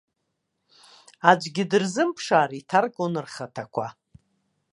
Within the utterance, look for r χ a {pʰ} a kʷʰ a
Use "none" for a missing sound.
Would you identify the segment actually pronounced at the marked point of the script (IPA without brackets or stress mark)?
tʰ